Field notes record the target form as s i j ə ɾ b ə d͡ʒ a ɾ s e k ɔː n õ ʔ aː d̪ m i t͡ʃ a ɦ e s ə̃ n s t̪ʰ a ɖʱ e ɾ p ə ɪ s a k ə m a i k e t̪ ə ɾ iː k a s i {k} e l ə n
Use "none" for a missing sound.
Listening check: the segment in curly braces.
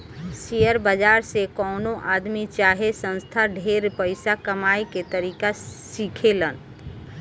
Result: kʰ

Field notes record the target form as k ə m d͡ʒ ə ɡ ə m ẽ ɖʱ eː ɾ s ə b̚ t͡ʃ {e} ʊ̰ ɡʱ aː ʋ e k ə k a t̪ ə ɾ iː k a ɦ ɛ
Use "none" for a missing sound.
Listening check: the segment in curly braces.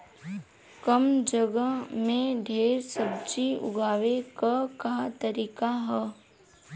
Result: i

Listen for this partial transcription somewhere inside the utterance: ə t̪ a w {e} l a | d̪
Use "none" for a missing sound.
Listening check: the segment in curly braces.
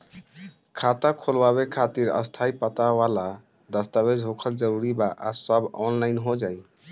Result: a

